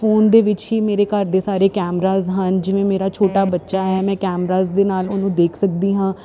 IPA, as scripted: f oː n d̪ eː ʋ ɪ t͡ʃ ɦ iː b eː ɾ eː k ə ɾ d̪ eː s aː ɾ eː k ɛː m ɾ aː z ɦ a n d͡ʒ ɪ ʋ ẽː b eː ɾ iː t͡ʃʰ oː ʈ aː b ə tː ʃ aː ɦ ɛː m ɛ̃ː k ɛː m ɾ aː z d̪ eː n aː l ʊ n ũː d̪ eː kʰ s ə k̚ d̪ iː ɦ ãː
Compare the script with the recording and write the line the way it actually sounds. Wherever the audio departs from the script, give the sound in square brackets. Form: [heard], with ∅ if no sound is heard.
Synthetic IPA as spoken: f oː n d̪ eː ʋ ɪ t͡ʃ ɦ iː [m] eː ɾ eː k ə ɾ d̪ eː s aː ɾ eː k ɛː m ɾ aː z ɦ [ə] n d͡ʒ ɪ ʋ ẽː [m] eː ɾ [aː] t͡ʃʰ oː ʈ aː b ə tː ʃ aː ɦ ɛː m ɛ̃ː k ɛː m ɾ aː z d̪ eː n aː l ʊ n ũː d̪ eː kʰ s ə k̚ d̪ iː ɦ ãː